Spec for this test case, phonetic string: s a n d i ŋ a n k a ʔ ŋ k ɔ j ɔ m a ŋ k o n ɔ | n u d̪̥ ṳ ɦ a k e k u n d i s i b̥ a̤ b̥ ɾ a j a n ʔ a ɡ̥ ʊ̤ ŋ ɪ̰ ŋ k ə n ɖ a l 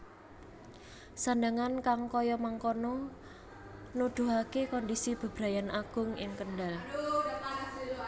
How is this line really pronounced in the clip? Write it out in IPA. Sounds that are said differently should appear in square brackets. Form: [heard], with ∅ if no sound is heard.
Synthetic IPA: s a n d [a] ŋ a n k a [∅] ŋ k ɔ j ɔ m a ŋ k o n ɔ | n u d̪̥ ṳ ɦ a k e k [ɔ] n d i s i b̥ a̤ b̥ ɾ a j a n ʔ a ɡ̥ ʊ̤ ŋ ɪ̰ ŋ k ə n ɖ a l